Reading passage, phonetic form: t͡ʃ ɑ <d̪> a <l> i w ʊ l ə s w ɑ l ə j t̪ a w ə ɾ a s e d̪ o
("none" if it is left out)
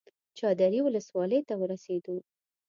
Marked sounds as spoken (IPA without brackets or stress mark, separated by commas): d̪, ɾ